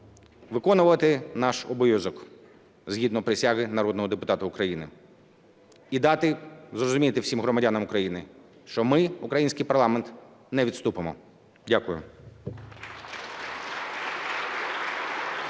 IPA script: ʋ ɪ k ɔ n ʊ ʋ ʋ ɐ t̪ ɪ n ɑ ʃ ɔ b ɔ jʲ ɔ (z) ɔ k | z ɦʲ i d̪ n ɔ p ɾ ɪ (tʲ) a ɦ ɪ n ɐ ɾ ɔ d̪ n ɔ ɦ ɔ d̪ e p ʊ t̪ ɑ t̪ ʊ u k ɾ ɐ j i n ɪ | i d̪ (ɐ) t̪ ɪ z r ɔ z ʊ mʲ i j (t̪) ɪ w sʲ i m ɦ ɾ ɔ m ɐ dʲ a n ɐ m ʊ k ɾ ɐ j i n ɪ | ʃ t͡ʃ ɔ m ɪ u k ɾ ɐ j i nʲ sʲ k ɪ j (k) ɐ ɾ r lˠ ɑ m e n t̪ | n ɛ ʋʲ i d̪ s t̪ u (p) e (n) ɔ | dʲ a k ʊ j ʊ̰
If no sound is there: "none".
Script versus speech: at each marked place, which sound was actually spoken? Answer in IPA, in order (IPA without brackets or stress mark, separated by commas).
z, sʲ, ɑ, t̪, p, p, m